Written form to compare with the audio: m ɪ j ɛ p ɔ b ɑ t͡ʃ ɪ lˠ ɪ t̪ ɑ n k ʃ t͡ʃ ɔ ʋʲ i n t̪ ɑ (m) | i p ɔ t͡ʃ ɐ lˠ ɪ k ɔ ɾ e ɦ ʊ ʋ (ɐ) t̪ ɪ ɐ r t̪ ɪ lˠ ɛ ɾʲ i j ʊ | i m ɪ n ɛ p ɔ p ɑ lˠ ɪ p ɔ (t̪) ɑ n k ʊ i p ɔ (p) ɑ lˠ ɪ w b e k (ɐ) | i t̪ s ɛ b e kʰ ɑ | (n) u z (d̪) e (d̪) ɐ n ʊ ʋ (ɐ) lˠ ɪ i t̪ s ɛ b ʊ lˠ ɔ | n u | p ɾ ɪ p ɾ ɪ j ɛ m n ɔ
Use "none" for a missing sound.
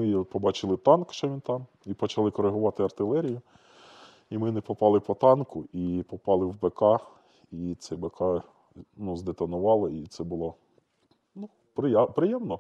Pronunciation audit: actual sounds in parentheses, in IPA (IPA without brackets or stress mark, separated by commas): m, ɑ, t̪, p, ɑ, n, d̪, t̪, ɑ